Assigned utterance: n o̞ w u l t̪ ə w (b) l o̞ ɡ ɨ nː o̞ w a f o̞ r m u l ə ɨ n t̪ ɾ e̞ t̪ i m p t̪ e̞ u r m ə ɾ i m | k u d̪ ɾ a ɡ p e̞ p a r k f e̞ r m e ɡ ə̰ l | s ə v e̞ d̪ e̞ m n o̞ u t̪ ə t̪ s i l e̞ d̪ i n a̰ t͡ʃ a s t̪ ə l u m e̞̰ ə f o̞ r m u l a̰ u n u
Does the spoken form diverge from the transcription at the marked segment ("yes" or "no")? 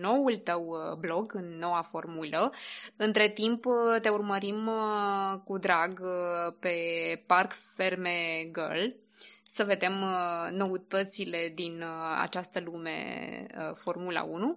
no